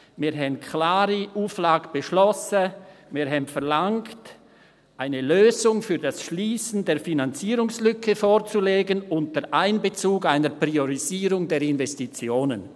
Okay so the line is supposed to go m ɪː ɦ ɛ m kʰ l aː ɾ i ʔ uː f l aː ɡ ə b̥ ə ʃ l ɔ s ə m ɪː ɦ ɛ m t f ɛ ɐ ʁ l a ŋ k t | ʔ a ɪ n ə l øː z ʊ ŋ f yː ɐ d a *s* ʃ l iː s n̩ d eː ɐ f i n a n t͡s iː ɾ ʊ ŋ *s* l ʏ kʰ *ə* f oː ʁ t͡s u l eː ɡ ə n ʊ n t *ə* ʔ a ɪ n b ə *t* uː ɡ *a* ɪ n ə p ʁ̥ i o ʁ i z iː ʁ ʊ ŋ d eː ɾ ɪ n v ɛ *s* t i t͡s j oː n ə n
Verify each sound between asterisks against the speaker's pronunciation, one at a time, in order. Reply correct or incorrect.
correct, correct, correct, correct, incorrect, correct, correct

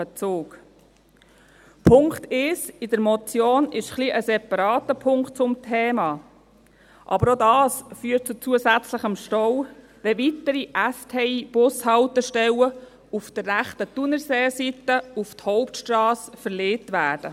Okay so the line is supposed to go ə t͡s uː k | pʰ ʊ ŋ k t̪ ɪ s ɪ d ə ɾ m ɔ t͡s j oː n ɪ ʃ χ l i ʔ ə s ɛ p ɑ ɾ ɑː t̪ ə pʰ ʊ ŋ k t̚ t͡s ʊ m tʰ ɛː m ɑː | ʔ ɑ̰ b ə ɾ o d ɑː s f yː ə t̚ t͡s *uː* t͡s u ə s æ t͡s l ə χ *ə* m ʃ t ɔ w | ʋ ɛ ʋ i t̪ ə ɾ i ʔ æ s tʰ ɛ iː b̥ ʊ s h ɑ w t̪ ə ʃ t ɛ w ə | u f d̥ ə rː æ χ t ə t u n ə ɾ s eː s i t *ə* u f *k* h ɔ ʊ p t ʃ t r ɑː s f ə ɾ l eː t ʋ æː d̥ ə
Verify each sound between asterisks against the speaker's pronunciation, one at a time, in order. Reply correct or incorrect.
incorrect, correct, correct, incorrect

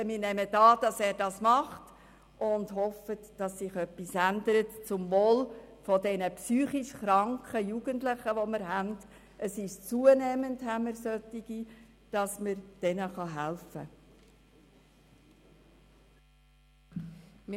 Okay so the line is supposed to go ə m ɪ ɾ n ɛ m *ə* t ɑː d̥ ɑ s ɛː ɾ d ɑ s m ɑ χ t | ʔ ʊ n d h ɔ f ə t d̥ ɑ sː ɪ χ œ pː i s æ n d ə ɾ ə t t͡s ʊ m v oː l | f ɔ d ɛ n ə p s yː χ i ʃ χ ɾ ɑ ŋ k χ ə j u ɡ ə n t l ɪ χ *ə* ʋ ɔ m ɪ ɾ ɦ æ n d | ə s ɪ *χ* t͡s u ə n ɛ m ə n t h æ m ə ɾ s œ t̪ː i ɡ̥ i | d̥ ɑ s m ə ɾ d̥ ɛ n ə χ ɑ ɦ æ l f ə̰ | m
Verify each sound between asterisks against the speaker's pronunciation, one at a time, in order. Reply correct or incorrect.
correct, correct, incorrect

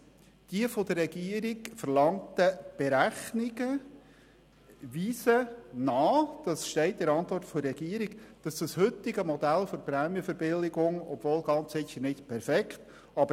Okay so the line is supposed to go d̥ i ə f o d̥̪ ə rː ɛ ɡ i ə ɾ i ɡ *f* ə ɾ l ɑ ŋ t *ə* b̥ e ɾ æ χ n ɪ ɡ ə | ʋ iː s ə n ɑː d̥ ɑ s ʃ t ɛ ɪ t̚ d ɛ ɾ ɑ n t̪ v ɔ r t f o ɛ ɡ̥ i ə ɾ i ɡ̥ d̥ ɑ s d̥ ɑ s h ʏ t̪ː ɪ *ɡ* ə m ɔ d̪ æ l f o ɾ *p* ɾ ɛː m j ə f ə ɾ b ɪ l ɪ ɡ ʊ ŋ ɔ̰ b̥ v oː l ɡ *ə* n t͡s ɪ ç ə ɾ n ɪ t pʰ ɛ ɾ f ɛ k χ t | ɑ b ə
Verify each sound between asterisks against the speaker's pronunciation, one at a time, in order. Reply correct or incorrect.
correct, correct, correct, correct, incorrect

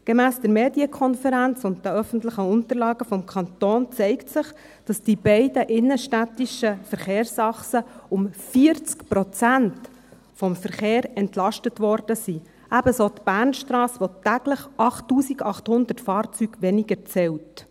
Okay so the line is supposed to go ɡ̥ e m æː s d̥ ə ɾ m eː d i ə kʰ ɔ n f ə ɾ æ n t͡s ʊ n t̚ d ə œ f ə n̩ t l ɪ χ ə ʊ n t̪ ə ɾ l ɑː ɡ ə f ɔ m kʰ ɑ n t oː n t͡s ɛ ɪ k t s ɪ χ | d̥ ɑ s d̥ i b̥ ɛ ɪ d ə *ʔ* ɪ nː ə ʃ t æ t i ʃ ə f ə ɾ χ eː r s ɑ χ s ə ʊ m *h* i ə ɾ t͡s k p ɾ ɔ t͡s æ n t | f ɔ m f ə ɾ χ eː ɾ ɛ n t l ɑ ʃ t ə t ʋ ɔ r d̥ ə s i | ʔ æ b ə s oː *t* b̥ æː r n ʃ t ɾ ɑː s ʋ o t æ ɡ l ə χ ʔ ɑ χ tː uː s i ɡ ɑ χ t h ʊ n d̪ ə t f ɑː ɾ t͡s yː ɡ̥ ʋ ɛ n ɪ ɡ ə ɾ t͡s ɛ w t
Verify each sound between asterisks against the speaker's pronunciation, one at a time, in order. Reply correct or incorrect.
correct, incorrect, correct

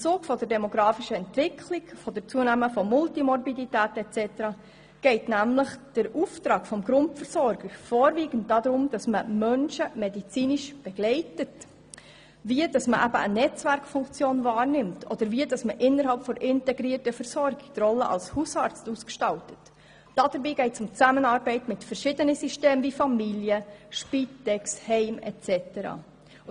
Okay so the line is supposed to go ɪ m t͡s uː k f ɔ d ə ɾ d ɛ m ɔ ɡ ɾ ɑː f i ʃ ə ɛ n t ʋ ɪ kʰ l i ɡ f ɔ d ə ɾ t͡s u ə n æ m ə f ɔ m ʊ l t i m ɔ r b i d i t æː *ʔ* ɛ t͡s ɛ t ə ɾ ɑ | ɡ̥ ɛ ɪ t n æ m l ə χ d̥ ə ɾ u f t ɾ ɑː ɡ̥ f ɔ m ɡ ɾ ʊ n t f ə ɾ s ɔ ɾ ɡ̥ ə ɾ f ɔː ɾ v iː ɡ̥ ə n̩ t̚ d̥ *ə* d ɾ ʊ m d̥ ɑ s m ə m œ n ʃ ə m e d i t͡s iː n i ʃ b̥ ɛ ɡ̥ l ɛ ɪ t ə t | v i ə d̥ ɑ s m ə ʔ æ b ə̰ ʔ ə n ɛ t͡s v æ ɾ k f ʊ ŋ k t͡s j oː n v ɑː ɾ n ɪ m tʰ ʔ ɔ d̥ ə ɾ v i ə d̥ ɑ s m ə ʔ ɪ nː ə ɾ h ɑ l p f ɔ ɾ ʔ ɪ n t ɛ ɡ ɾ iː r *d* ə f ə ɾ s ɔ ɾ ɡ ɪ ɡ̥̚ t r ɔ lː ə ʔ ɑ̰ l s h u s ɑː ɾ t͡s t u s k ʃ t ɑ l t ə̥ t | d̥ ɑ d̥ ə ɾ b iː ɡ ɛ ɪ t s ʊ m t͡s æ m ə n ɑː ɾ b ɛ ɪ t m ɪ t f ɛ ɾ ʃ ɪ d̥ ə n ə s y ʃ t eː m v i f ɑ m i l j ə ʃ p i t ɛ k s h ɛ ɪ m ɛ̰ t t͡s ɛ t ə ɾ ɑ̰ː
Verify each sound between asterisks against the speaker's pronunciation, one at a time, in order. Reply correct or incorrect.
incorrect, incorrect, incorrect

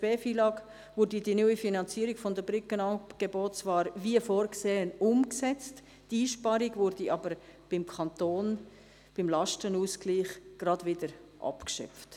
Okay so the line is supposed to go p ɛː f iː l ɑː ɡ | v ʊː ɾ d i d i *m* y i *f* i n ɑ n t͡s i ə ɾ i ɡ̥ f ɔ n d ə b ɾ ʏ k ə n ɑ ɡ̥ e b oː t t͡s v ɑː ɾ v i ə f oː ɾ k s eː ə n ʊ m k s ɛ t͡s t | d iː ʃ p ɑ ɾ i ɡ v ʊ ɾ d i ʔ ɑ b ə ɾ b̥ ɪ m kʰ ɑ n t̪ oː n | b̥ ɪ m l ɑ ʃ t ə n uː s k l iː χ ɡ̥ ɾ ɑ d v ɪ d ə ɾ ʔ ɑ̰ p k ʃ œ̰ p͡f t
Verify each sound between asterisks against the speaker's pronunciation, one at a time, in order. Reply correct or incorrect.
incorrect, correct

